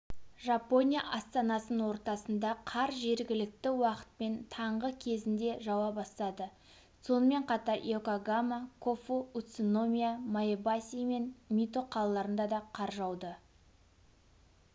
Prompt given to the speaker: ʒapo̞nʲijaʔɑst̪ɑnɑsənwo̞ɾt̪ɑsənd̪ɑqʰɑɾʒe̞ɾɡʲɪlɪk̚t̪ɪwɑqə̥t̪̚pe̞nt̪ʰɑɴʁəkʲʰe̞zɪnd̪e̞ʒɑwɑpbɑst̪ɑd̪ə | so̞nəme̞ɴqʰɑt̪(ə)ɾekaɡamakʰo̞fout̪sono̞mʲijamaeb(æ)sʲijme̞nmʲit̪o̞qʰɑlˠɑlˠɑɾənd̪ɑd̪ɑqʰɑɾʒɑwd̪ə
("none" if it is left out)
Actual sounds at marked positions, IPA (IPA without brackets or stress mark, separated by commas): ɑ, a